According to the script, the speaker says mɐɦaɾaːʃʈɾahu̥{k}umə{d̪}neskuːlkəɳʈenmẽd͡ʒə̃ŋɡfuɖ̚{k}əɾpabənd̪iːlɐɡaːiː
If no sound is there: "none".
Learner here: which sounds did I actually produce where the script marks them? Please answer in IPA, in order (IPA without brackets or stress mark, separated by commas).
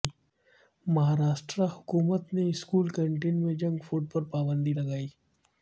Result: k, t̪, p